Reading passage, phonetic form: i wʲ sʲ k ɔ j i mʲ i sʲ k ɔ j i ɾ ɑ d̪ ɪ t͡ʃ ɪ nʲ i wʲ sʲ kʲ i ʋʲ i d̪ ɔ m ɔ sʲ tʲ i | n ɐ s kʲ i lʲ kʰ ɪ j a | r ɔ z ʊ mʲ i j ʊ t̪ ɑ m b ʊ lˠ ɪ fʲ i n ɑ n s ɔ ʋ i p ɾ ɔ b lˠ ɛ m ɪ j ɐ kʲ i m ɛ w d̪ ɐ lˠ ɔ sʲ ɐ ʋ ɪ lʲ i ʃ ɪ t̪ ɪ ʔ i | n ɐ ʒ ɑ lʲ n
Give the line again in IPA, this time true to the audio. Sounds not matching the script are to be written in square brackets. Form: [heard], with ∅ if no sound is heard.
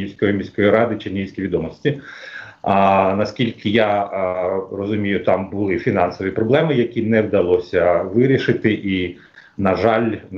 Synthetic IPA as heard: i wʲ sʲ k ɔ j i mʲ i sʲ k ɔ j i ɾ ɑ d̪ ɪ t͡ʃ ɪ nʲ i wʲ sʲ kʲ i ʋʲ i d̪ ɔ m ɔ sʲ tʲ i | n ɐ s kʲ i lʲ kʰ ɪ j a | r ɔ z ʊ mʲ i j ʊ t̪ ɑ m b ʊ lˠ ɪ fʲ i n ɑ n s ɔ ʋ i p ɾ ɔ b lˠ ɛ m ɪ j ɐ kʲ i [n] ɛ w d̪ ɐ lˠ ɔ sʲ ɐ ʋ ɪ [ɾʲ] i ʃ ɪ t̪ ɪ ʔ i | n ɐ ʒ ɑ lʲ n